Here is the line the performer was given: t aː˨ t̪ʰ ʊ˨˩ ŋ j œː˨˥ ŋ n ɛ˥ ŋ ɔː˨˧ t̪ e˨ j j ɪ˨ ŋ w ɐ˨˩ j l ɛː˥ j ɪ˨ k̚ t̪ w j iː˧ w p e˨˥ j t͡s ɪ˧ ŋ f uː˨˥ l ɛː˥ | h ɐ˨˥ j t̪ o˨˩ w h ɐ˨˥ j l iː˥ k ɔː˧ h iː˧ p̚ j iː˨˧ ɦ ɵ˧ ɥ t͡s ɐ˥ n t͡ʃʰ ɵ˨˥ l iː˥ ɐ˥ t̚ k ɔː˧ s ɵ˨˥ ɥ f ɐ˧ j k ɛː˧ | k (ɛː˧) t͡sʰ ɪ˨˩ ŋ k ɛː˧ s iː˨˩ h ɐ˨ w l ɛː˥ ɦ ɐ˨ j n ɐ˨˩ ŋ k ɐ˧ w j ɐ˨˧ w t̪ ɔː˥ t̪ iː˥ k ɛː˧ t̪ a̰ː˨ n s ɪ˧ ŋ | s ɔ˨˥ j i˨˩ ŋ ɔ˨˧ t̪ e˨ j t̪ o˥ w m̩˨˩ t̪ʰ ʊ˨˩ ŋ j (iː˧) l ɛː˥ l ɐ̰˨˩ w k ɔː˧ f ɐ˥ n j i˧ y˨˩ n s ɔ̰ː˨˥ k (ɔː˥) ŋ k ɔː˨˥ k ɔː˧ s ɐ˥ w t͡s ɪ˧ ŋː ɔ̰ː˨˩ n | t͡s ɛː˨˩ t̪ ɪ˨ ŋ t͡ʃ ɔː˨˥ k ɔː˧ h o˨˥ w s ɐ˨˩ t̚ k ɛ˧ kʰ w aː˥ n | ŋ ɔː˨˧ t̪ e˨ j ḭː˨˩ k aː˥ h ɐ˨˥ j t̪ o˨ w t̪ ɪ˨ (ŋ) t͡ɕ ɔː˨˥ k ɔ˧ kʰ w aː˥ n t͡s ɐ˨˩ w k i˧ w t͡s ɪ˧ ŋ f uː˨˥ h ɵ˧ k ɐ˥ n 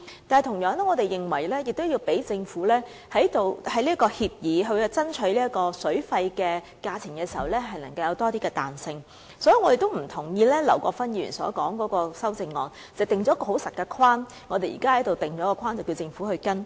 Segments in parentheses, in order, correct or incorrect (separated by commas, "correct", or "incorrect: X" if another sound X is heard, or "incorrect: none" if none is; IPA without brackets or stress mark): incorrect: aː˧, correct, incorrect: ɔː˨˥, correct